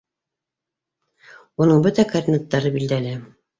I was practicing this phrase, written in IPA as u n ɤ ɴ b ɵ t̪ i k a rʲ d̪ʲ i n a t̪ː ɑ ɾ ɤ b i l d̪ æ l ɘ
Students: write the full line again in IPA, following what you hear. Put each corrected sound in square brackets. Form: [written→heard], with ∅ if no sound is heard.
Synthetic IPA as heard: u n ɤ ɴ b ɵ t̪ [i→æ] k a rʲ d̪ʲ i n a t̪ː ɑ ɾ ɤ b i l d̪ æ l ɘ